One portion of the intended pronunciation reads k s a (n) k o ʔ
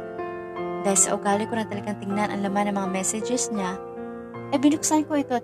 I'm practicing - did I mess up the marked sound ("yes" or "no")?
no